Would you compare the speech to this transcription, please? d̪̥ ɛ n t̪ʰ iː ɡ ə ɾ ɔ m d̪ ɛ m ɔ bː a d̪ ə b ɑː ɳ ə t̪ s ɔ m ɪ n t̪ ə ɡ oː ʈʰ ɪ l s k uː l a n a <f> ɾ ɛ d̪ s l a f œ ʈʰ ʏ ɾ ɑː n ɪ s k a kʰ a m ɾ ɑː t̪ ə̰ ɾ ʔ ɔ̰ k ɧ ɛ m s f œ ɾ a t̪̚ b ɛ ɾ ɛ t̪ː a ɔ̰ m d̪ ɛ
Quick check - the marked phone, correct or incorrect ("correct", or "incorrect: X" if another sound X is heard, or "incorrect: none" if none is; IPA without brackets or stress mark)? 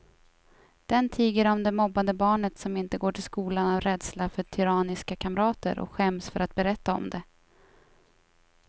incorrect: v